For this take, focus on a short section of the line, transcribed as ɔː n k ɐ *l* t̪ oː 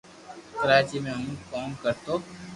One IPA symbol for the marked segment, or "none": ɾ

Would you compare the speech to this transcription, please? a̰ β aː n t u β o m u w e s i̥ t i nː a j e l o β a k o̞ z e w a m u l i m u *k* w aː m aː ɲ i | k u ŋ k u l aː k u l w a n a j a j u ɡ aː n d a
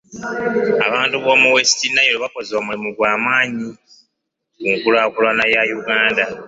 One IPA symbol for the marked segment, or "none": ɡ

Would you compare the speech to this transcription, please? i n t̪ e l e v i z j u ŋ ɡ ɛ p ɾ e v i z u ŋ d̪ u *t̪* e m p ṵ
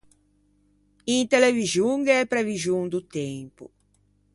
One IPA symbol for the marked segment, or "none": t̪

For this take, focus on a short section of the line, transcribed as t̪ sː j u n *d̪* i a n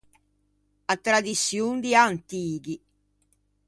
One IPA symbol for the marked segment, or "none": d̪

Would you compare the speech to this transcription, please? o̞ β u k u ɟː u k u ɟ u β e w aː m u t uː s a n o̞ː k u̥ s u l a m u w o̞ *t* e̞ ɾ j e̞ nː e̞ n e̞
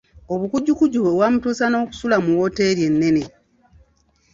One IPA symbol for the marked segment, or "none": t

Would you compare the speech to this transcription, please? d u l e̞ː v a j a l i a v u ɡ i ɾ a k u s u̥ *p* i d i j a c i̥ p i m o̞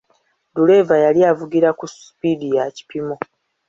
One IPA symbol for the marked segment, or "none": p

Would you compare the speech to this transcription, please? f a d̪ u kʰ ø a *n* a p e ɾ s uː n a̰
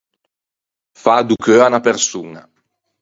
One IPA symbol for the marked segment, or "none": n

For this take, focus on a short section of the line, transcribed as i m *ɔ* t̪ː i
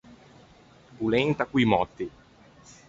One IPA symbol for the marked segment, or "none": ɔ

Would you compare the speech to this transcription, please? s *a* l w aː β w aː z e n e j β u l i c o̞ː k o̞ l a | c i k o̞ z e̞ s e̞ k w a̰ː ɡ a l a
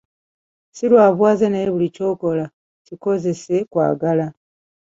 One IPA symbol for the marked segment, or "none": i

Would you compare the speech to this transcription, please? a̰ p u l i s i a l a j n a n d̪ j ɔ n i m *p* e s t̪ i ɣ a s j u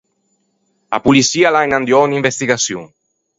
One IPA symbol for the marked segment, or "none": b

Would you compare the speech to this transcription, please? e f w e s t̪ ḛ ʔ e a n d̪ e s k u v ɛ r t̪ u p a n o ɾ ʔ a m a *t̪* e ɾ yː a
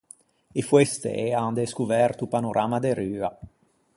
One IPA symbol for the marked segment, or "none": d̪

